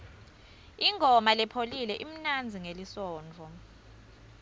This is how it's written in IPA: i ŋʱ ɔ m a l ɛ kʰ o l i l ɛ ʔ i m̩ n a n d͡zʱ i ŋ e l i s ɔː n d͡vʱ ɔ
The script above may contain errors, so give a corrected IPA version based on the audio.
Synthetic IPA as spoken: i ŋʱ ɔ m a l ɛ pʰ o l i l ɛ ʔ i m̩ n a n d͡zʱ i ŋ e l i s ɔː n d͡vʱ ɔ

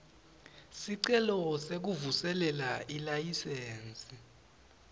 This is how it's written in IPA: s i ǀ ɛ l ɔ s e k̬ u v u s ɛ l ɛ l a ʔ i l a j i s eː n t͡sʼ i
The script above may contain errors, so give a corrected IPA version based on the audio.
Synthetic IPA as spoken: s i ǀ ɛ l ɔ s e k̬ u v u s ɛ l ɛ l a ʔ i l a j i s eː n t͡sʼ i

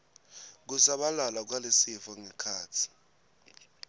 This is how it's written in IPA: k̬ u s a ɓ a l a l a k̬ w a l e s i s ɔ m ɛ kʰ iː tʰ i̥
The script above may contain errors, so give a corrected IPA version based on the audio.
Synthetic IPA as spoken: k̬ u s a ɓ a l a l a k̬ w a l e s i f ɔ ŋ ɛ kʰ aː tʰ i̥

